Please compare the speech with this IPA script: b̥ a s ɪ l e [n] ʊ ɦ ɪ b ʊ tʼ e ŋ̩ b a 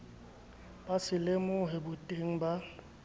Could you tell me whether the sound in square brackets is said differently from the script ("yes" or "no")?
yes